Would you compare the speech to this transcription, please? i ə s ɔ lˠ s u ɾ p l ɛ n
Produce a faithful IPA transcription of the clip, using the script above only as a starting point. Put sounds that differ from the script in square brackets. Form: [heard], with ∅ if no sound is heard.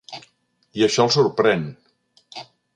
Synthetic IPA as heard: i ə [ʃ] ɔ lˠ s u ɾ p [ɾ] ɛ n